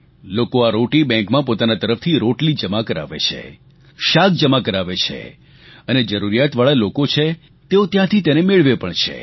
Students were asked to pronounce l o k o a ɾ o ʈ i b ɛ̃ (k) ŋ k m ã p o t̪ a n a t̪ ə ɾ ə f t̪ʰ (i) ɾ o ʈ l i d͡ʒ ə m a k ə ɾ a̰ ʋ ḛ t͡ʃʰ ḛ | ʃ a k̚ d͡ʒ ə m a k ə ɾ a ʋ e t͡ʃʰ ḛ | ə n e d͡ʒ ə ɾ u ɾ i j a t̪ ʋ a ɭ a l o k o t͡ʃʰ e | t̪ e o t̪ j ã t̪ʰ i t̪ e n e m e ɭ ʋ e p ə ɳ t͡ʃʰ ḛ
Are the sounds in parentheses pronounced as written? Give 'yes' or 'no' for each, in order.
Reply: no, yes

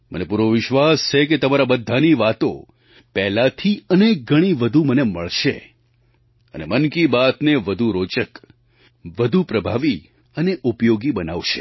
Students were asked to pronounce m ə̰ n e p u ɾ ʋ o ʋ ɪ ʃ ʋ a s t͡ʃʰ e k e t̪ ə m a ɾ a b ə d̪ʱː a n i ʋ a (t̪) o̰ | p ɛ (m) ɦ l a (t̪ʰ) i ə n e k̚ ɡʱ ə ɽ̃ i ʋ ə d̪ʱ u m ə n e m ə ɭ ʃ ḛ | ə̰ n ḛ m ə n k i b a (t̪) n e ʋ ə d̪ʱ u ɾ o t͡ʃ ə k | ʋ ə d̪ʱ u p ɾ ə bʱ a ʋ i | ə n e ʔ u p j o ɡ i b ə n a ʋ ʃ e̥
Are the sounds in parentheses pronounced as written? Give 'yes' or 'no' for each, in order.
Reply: yes, no, yes, yes

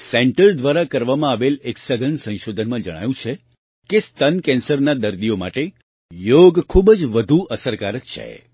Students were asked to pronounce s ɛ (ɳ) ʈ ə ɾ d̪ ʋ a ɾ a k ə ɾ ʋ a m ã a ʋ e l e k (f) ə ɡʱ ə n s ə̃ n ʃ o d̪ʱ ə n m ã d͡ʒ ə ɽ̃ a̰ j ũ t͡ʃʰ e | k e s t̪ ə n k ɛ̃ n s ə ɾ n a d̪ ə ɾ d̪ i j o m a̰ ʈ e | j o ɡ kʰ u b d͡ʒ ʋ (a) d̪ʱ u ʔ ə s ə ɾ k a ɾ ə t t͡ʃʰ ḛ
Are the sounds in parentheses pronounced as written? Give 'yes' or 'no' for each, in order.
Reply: yes, no, no

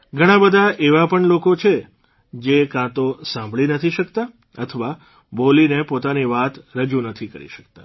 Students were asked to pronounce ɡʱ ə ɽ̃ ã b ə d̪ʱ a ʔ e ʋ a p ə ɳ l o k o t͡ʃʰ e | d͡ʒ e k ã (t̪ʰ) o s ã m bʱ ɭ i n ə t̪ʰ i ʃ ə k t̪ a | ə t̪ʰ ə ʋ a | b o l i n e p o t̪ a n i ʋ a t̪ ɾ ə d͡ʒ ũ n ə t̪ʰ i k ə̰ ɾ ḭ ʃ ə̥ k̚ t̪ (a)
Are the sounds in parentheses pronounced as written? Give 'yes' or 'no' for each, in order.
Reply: no, yes

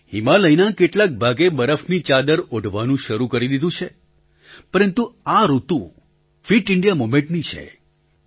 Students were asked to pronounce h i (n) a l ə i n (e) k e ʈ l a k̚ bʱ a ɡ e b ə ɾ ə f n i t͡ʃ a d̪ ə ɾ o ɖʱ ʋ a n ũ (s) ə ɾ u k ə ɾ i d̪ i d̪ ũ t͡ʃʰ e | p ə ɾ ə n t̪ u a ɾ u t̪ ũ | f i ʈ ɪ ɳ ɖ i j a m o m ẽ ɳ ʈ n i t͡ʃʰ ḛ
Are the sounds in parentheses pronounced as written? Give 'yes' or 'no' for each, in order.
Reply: no, no, no

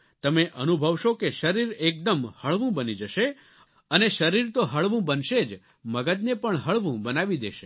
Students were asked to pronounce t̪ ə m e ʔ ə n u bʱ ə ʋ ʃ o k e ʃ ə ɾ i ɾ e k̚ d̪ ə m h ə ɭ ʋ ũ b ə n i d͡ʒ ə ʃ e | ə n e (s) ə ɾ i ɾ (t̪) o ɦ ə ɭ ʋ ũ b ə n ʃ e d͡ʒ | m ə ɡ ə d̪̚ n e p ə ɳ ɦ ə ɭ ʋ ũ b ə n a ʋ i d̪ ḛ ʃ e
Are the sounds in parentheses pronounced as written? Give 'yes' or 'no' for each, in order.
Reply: no, yes

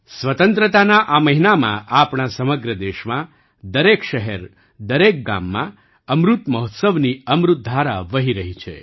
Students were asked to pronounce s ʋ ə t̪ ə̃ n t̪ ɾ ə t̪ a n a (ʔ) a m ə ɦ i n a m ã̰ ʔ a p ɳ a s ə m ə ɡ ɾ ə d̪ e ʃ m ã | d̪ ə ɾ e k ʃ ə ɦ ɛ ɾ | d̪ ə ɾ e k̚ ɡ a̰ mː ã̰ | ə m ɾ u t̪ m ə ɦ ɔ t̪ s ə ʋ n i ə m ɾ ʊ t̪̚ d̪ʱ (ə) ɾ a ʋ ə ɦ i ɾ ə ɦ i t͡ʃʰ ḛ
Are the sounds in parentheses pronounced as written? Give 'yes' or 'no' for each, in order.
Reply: yes, no

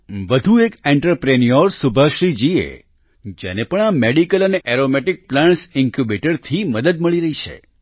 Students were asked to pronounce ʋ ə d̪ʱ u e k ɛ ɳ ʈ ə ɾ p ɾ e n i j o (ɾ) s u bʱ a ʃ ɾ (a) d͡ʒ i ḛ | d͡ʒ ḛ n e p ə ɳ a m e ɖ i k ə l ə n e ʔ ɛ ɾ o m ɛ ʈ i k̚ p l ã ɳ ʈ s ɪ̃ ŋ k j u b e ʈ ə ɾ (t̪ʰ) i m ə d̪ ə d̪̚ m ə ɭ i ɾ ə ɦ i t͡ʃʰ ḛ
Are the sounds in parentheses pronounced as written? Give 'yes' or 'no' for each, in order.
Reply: yes, no, yes

